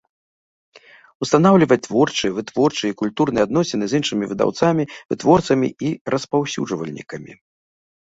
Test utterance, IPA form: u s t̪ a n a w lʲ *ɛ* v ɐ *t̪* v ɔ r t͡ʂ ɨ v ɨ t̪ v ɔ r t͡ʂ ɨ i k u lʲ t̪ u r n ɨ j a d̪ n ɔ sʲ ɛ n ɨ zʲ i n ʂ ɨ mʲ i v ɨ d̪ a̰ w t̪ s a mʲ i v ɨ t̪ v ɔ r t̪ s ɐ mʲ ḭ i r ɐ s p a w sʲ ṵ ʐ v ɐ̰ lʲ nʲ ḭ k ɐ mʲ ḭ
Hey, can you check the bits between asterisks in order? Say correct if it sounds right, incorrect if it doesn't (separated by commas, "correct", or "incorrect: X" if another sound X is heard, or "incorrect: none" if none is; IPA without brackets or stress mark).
incorrect: i, correct